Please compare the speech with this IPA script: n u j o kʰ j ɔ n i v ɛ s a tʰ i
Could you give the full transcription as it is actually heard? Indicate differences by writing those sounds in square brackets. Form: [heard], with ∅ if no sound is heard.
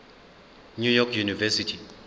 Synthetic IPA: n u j [ɔ] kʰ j [u] n i v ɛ s [i] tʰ i